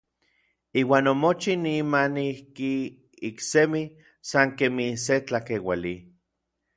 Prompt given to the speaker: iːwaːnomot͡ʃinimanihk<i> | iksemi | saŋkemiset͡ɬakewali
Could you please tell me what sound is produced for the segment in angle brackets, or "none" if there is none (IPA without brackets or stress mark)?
i